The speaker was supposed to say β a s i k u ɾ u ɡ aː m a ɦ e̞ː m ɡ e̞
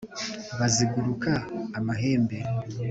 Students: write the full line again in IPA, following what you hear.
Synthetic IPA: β a z i ɡ u ɾ u k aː m a ɦ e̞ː m b e̞